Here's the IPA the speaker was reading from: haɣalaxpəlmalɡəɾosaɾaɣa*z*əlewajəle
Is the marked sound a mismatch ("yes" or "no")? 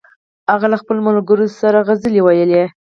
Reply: no